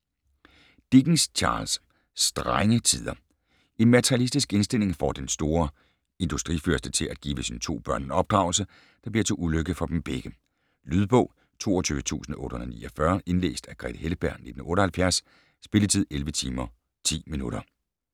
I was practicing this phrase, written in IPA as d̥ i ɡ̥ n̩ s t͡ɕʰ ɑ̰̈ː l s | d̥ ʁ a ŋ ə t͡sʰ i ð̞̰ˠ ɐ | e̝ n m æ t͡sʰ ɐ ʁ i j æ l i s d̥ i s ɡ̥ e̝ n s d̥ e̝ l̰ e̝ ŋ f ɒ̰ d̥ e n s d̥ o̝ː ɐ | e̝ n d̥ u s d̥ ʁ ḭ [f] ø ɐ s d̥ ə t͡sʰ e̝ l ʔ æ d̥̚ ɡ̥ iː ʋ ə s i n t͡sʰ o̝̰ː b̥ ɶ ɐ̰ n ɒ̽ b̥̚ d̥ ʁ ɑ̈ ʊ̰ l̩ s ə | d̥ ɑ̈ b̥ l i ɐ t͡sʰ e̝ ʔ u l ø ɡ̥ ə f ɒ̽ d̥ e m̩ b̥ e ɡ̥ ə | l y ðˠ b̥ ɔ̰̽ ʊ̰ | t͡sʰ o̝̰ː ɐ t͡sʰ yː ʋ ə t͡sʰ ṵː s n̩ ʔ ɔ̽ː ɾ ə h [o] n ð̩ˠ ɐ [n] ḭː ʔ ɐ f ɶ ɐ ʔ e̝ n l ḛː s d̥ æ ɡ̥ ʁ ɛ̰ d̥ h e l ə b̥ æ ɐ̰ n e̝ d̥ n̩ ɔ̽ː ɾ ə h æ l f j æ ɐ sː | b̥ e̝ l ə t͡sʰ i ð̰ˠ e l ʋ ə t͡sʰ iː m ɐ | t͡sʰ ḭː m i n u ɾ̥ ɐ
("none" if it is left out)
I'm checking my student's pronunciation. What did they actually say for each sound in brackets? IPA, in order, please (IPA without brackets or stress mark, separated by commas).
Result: f, o, n